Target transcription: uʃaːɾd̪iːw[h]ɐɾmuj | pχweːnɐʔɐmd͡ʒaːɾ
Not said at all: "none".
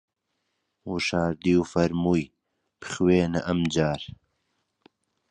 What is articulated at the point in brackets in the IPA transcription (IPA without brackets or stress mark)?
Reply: f